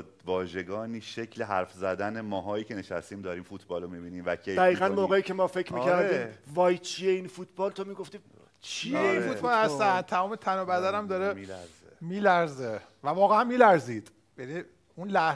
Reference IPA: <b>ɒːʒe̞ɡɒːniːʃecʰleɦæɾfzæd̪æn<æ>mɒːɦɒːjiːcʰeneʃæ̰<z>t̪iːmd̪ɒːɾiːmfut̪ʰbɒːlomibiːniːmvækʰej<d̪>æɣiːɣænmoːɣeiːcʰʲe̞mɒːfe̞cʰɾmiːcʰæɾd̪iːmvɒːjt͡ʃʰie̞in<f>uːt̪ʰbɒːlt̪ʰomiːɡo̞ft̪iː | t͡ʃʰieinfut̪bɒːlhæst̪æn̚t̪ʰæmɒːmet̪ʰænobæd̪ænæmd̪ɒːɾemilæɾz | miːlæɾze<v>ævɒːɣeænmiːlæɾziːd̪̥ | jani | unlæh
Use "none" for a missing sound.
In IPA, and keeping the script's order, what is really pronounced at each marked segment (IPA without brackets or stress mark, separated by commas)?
v, e, s, d̪, f, v